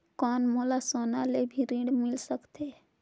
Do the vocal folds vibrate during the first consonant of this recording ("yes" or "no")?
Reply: no